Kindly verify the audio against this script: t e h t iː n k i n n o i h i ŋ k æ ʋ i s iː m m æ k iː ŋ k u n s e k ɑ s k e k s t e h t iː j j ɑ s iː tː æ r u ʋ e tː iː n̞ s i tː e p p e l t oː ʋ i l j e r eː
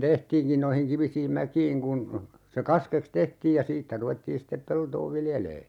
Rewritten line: t e h t iː n k i n n o i h i ŋ k i ʋ i s iː m m æ k iː ŋ k u n s e k ɑ s k e k s t e h t iː j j ɑ s iː tː æ r u ʋ e tː iː n̞ s i tː e p p e l t oː ʋ i l j e l eː